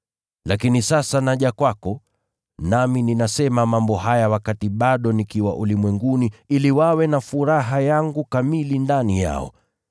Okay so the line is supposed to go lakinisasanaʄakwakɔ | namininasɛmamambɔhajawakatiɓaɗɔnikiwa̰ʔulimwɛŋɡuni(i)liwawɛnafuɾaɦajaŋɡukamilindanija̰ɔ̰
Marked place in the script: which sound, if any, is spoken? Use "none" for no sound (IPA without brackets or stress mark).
i